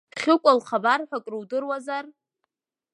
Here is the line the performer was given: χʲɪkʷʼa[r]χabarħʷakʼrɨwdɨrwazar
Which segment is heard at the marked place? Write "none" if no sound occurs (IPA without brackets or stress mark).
l